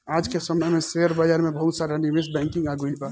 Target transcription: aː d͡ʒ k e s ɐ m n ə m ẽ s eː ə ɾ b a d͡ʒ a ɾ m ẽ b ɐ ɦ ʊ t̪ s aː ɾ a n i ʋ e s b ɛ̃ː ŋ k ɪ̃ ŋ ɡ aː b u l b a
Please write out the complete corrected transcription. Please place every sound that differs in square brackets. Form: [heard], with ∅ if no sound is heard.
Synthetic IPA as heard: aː d͡ʒ k e s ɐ m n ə m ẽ s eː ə ɾ b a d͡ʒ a ɾ m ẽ b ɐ ɦ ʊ t̪ s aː ɾ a n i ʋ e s b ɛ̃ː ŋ k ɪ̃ ŋ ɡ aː [ɡ] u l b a